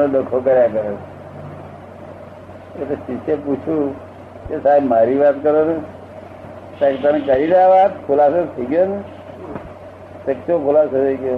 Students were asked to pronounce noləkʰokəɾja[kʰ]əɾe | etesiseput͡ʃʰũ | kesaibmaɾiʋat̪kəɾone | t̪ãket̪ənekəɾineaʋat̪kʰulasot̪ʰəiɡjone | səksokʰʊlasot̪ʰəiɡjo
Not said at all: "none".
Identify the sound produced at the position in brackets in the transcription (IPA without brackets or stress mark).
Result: k